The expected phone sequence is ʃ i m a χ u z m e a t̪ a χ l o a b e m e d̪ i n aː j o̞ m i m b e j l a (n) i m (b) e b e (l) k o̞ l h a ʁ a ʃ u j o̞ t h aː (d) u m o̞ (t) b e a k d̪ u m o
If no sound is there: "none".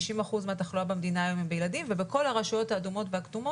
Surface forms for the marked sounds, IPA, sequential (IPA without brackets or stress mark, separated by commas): d, v, none, d, t